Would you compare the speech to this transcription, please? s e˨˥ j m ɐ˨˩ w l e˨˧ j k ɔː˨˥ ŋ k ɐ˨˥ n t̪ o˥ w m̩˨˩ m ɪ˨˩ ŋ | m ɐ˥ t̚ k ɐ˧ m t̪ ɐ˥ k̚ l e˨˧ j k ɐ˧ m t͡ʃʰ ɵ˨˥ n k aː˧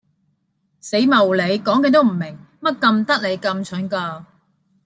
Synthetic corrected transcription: s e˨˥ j m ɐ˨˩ w l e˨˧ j k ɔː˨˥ ŋ k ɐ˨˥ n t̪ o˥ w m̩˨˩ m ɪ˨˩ ŋ | m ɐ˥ t̚ k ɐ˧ m t̪ ɐ˥ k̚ l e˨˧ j k ɐ˧ m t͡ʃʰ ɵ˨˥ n k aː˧

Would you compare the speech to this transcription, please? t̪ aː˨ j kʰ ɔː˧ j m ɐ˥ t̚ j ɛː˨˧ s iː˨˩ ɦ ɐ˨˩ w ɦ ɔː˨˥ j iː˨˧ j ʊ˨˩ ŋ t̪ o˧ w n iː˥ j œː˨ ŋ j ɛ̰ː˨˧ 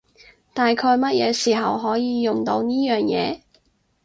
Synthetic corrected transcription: t̪ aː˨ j kʰ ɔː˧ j m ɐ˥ t̚ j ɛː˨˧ s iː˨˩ ɦ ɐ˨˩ w ɦ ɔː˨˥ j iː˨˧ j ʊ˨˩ ŋ t̪ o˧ w n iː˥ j œː˨ ŋ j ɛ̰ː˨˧

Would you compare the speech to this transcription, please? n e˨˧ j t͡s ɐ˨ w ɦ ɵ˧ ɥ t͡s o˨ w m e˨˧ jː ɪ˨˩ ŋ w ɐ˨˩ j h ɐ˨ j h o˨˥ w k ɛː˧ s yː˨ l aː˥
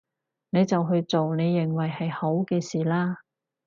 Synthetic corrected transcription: n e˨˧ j t͡s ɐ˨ w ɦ ɵ˧ ɥ t͡s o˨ w n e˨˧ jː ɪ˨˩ ŋ w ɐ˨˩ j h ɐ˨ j h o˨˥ w k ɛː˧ s iː˨ l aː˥

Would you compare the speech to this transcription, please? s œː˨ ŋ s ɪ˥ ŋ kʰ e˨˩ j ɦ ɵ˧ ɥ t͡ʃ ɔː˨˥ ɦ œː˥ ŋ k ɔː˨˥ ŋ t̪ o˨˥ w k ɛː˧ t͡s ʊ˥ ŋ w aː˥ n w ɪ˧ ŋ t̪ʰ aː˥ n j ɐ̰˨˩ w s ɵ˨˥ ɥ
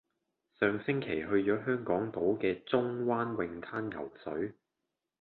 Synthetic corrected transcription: s œː˨ ŋ s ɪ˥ ŋ kʰ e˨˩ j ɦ ɵ˧ ɥ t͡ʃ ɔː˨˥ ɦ œː˥ ŋ k ɔː˨˥ ŋ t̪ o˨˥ w k ɛː˧ t͡s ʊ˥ ŋ w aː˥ n w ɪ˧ ŋ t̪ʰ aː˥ n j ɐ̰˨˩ w s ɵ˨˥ ɥ

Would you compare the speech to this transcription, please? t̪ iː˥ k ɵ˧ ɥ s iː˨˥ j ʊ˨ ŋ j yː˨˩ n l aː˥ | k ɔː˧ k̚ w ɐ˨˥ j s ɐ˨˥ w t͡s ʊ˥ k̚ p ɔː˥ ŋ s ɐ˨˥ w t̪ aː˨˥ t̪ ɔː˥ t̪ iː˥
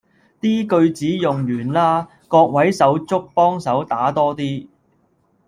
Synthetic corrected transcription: t̪ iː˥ k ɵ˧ ɥ t͡s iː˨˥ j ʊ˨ ŋ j yː˨˩ n l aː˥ | k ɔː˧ k̚ w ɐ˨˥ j s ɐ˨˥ w t͡s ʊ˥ k̚ p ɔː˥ ŋ s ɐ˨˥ w t̪ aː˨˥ t̪ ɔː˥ t̪ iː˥

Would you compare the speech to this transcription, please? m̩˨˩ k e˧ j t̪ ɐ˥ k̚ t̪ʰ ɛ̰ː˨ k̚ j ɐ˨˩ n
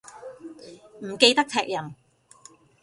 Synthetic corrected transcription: m̩˨˩ k e˧ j t̪ ɐ˥ k̚ t̪ʰ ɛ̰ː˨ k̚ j ɐ˨˩ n

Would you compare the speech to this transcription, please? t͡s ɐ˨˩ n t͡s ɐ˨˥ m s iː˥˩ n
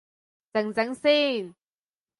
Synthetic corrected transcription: t͡s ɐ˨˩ ŋ t͡s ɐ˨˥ ŋ s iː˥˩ n

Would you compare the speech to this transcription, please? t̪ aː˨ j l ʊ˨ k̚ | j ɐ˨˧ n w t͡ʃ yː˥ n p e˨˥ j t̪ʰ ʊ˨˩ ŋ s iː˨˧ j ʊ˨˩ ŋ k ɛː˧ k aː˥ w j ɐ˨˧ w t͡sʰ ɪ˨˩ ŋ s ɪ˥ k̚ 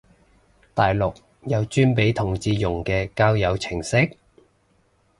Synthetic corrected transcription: t̪ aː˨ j l ʊ˨ k̚ | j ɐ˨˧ w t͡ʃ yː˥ n p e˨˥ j t̪ʰ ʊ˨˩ ŋ t͡s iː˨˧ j ʊ˨˩ ŋ k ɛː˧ k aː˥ w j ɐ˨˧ w t͡sʰ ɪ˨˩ ŋ s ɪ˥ k̚

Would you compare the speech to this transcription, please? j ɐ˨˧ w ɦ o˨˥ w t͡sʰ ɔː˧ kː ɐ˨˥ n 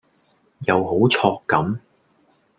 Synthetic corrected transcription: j ɐ˨˧ w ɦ o˨˥ w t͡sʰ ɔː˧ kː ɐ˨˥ m

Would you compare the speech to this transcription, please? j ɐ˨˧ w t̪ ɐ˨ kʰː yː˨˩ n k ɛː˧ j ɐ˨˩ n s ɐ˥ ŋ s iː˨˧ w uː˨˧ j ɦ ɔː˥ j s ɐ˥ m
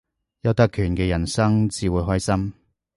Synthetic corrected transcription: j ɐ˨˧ w t̪ ɐ˥ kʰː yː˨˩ n k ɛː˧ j ɐ˨˩ n s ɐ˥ ŋ t͡s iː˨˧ w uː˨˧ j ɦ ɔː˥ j s ɐ˥ m

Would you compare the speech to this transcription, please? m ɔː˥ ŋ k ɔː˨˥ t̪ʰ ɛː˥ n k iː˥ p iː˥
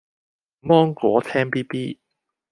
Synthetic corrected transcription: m ɔː˥ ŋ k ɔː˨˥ t̪ʰ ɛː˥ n p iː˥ p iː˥

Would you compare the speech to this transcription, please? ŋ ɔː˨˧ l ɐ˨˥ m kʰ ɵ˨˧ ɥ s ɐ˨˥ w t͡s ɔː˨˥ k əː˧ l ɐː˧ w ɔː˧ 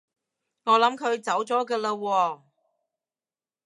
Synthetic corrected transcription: ŋ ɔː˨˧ l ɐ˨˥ m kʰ ɵ˨˧ ɥ t͡s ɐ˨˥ w t͡s ɔː˨˥ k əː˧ l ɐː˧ w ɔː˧

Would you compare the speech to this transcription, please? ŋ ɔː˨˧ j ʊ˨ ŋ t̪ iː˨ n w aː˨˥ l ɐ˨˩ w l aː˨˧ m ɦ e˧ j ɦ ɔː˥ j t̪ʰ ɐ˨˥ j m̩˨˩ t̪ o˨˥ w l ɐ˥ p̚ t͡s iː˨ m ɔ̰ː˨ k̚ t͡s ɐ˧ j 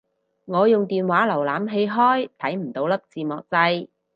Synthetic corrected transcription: ŋ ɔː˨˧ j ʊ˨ ŋ t̪ iː˨ n w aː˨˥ l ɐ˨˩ w l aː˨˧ m ɦ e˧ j ɦ ɔː˥ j t̪ʰ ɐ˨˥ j m̩˨˩ t̪ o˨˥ w l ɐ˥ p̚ t͡s iː˨ m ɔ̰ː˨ k̚ t͡s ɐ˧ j

